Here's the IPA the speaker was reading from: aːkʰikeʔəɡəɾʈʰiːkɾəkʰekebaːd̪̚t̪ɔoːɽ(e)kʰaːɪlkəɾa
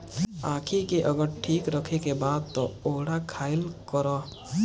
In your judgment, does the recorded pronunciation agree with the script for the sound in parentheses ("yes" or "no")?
no